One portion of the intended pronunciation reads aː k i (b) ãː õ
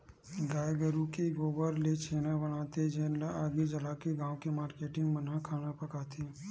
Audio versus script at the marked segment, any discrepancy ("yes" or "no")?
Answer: yes